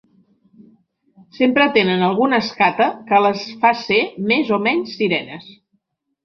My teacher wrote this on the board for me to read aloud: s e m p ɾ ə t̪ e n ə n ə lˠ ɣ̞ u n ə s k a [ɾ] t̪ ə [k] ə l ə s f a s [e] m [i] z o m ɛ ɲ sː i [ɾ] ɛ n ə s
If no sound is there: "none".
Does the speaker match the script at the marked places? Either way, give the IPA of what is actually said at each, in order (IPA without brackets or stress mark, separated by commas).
none, k, e, e, ɾ